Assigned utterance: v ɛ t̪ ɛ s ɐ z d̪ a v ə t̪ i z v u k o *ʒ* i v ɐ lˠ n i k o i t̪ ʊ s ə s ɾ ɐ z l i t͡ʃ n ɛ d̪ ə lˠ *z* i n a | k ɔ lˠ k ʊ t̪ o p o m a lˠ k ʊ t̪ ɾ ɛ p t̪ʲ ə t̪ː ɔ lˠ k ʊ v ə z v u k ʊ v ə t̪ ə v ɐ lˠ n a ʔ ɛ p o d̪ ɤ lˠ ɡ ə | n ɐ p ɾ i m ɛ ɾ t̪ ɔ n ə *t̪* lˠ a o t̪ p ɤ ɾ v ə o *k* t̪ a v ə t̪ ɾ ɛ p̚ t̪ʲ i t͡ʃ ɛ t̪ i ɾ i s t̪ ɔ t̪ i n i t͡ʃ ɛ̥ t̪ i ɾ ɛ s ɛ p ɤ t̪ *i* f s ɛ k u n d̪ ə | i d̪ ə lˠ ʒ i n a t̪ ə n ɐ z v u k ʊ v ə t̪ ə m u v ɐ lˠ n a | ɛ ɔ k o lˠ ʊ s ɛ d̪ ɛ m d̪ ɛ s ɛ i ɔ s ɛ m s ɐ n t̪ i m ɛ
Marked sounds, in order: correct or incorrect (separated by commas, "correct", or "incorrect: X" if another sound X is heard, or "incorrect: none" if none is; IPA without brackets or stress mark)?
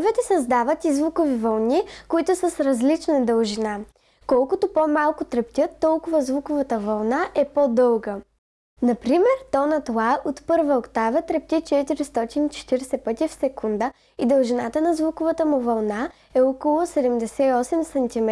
incorrect: v, incorrect: ʒ, correct, correct, correct